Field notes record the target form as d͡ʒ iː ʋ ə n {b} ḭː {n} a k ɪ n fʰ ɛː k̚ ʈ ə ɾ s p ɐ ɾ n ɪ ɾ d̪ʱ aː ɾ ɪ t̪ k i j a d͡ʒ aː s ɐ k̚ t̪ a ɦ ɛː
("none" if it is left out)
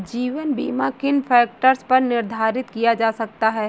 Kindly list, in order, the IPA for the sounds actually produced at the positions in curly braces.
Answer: b, m

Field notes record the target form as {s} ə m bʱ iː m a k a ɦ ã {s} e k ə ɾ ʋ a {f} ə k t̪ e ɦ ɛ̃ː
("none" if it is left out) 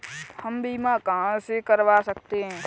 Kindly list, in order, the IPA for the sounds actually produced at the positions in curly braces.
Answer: h, s, s

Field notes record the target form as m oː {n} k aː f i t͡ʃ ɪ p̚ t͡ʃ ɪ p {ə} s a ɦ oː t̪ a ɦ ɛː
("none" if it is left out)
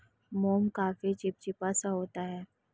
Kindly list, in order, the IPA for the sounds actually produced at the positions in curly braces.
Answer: m, a

